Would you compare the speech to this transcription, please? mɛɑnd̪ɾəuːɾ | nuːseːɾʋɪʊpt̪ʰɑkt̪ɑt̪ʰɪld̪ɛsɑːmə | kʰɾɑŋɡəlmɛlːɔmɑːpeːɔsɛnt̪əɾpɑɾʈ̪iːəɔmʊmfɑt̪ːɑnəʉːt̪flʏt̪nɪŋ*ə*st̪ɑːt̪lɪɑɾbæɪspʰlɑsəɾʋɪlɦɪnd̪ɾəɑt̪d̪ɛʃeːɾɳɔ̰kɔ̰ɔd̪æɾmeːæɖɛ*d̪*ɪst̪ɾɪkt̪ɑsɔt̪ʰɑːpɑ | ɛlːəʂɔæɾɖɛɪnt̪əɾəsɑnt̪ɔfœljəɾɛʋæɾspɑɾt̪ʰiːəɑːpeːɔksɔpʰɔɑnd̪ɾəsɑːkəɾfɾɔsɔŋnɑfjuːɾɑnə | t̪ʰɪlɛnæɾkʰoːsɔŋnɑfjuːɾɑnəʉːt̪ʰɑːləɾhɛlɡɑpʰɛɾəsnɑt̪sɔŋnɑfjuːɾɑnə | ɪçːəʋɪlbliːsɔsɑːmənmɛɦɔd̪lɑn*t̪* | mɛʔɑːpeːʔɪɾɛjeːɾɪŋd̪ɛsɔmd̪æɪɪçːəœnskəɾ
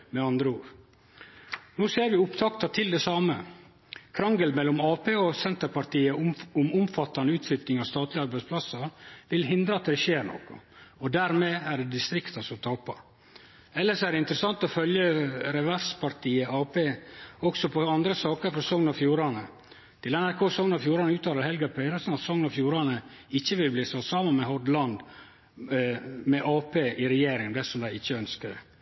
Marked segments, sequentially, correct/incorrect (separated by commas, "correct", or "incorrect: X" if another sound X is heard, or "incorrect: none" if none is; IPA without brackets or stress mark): incorrect: ɑ, correct, incorrect: d̪